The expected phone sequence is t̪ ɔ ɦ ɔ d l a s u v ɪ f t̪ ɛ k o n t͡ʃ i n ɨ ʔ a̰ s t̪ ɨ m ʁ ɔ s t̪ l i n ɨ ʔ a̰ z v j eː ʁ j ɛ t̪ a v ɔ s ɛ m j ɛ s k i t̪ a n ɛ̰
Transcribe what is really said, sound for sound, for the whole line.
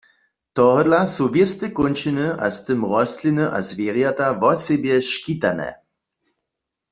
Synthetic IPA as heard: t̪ ɔ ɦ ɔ d l a s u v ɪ s t̪ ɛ k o n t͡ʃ i n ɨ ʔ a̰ s t̪ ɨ m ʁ ɔ s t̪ l i n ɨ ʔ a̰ z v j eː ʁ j a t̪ a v ɔ s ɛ b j ɛ ʃ k i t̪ a n ɛ̰